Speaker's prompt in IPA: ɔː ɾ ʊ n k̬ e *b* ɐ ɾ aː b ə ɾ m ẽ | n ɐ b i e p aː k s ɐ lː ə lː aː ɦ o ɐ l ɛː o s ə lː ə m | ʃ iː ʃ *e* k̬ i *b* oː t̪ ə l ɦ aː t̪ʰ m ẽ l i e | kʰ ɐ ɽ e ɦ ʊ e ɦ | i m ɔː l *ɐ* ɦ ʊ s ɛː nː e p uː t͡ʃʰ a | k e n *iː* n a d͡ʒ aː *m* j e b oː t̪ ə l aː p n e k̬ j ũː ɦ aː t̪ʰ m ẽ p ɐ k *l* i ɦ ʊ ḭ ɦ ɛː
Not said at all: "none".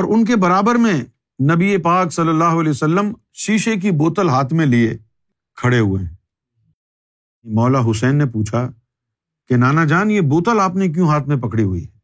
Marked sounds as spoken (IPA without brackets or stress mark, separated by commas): b, e, b, a, aː, n, ɽ